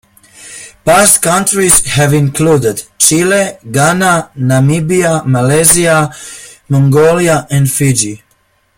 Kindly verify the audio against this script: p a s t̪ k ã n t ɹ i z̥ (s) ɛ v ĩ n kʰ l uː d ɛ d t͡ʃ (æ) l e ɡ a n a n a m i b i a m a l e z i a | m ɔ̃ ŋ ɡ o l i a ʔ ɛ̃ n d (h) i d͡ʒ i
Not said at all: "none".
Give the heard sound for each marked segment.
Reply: h, i, f

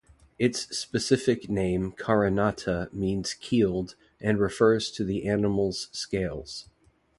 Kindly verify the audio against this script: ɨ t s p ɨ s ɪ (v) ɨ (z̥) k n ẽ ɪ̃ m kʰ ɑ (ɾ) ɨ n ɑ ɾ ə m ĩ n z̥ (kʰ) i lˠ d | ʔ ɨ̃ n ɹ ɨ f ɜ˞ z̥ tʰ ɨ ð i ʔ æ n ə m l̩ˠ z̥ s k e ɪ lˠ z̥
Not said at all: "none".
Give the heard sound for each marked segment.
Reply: f, none, ɹ, kʰ

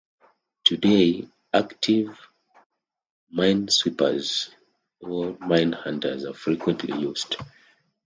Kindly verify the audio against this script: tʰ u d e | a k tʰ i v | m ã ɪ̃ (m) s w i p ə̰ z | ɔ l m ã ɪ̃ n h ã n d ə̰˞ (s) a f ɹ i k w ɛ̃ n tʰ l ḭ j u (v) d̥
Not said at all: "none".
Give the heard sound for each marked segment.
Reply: n, z, z

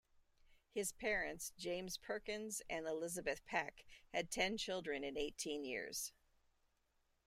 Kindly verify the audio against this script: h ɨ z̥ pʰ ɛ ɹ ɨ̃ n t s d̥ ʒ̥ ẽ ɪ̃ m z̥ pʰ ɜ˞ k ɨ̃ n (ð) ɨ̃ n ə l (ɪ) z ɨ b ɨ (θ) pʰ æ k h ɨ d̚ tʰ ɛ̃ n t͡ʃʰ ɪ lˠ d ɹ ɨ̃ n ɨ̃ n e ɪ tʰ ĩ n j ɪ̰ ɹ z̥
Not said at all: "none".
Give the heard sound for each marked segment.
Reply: z, ɪ, θ

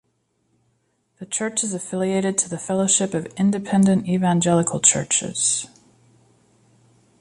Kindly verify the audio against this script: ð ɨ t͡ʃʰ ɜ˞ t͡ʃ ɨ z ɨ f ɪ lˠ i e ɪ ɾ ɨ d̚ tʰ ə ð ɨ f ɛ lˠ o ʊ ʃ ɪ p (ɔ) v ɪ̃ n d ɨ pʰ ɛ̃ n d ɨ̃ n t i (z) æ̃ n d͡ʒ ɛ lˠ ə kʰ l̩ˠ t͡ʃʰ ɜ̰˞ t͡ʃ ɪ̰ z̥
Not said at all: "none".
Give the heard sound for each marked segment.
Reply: ʌ, v

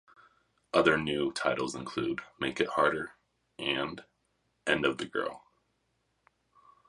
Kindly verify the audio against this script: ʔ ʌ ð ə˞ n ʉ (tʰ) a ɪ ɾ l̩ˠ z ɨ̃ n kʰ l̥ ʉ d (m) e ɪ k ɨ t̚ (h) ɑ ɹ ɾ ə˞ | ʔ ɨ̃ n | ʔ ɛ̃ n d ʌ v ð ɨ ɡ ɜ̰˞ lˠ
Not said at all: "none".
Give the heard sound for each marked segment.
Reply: tʰ, m, h

